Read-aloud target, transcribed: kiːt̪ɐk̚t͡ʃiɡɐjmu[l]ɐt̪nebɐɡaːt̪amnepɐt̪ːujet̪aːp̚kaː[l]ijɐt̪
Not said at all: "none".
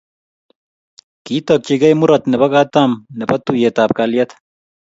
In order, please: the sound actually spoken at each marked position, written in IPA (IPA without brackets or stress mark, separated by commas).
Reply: ɾ, l